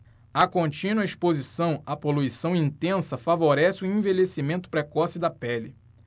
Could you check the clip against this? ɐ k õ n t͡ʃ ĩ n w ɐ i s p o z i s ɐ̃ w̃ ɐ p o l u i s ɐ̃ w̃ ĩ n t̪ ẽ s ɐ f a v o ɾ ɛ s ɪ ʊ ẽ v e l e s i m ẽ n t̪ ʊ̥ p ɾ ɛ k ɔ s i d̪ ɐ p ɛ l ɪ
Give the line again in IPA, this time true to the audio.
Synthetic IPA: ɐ k õ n t͡ʃ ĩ n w ɐ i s p o z i s ɐ̃ w̃ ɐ p o l u i s ɐ̃ w̃ ĩ n t̪ ẽ s ɐ f a v o ɾ ɛ s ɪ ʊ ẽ v e l e s i m ẽ n t̪ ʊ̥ p ɾ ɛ k ɔ s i d̪ ɐ p ɛ l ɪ